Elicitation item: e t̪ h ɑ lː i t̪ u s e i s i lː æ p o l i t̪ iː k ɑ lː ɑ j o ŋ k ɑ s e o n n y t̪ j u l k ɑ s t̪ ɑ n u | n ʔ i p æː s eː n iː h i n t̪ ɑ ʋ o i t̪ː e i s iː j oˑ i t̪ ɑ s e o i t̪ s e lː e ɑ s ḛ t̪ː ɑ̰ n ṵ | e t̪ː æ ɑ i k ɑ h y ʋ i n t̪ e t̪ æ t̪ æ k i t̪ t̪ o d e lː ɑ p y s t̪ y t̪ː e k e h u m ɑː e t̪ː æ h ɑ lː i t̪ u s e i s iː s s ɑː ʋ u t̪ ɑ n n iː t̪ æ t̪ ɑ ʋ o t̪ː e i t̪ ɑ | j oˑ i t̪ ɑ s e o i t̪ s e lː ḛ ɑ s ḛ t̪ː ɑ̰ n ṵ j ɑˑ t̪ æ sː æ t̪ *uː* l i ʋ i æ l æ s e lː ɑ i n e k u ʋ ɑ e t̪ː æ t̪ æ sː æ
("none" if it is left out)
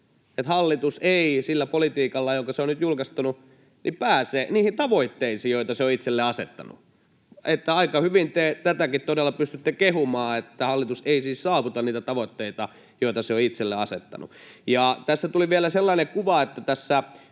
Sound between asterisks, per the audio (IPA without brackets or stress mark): u